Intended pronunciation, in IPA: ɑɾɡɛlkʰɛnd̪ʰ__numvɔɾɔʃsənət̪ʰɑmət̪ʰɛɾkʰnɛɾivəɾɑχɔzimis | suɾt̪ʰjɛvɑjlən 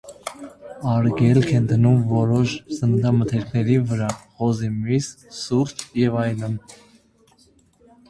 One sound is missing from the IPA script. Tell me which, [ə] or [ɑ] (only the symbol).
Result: ə